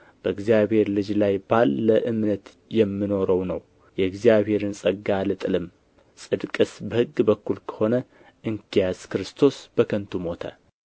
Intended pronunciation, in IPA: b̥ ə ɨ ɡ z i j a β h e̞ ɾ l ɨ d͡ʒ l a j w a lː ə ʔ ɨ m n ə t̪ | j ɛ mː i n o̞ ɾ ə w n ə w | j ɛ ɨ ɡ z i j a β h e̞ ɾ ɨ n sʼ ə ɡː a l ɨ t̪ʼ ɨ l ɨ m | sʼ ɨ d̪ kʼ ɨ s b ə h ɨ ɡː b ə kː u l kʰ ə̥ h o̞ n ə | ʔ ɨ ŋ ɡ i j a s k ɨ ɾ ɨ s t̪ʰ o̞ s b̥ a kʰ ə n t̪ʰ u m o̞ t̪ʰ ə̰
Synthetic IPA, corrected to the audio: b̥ ə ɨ ɡ z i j a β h e̞ ɾ l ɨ d͡ʒ l a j b a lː ə ʔ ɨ m n ə t̪ | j ɛ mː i n o̞ ɾ ə w n ə w | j ɛ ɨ ɡ z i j a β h e̞ ɾ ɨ n sʼ ə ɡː a l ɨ t̪ʼ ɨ l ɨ m | sʼ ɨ d̪ kʼ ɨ s b ə h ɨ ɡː b ə kː u l kʰ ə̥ h o̞ n ə | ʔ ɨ ŋ k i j a s k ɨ ɾ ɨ s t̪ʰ o̞ s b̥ ə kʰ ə n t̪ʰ u m o̞ t̪ʰ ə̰